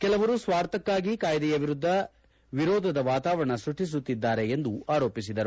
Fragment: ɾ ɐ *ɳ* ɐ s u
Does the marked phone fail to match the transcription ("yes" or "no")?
no